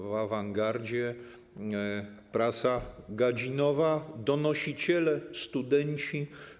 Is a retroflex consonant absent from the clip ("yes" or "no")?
yes